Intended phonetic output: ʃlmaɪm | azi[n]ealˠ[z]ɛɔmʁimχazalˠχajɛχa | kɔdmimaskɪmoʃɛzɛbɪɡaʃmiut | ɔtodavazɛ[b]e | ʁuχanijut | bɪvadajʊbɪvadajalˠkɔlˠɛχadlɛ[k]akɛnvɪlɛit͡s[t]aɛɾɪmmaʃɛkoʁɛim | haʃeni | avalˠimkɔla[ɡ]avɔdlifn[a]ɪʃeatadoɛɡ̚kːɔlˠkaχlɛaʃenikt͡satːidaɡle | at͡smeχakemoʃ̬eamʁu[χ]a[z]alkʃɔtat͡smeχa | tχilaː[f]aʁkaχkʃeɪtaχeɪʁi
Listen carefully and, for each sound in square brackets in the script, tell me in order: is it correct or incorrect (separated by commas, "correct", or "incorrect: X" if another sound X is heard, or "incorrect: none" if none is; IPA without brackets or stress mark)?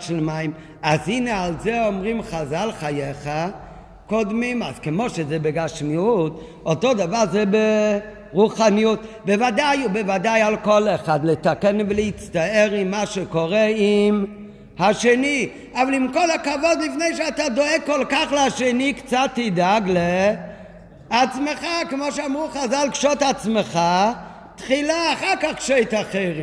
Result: correct, correct, correct, incorrect: t, correct, incorrect: k, incorrect: e, correct, correct, incorrect: χ